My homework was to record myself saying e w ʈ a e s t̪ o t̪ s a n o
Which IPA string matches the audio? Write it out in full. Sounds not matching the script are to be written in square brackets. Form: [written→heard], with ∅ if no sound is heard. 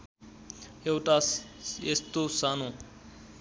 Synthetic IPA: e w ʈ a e s t̪ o [t̪→∅] s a n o

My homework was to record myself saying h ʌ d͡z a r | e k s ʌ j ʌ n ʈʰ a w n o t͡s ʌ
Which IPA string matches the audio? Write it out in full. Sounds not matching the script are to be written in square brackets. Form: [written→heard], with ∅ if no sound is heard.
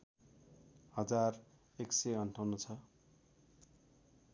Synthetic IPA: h ʌ d͡z a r | e k s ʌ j ʌ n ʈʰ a w n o [t͡s→t͡sʰ] ʌ

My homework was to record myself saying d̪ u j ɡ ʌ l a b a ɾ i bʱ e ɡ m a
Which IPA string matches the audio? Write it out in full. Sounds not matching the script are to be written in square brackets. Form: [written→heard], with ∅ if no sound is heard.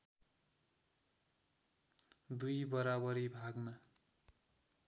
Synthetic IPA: d̪ u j [ɡ→b] ʌ [l→ɾ] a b [a→ʌ] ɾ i bʱ [e→a] ɡ m a

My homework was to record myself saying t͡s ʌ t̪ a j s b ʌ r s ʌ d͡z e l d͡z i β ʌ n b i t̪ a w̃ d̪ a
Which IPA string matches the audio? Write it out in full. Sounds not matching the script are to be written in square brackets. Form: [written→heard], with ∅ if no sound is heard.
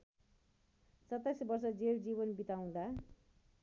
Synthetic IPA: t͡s ʌ t̪ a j s b ʌ r s ʌ d͡z e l d͡z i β ʌ n b i t̪ a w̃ d̪ a

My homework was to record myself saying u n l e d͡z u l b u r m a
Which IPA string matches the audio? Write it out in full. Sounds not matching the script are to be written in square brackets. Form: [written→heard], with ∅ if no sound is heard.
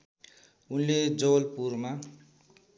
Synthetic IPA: u n l e d͡z [u→o] l [b→p] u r m a

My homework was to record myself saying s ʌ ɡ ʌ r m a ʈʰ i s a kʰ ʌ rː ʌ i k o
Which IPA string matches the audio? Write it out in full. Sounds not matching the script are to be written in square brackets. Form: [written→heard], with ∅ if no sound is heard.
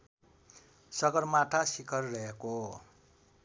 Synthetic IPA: s ʌ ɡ ʌ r m a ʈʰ [i→a] s [a→i] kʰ ʌ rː ʌ [i→e] k o

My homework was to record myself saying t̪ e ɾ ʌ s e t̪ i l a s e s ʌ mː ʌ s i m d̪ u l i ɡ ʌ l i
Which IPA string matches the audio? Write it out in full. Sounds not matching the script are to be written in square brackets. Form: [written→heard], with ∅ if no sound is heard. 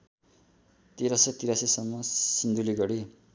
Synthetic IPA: t̪ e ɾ ʌ s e t̪ i [l→ɾ] a s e s ʌ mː ʌ s i [m→n] d̪ u l i ɡ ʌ [l→ɽ] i

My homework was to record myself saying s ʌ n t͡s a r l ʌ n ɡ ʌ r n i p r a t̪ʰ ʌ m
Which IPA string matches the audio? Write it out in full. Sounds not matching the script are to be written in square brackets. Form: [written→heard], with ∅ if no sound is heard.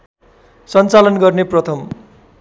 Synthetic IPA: s ʌ n t͡s a [r→∅] l ʌ n ɡ ʌ r n [i→e] p r [a→ʌ] t̪ʰ ʌ m

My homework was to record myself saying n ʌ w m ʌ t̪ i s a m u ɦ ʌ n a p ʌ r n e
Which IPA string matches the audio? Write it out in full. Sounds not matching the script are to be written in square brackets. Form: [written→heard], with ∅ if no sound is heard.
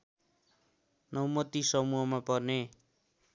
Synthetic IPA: n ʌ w m ʌ t̪ i s [a→ʌ] m u ɦ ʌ [n→m] a p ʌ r n e

